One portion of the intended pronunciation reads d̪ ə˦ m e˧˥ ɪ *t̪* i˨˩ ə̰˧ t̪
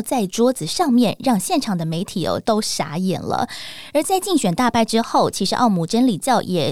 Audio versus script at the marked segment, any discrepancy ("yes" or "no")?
yes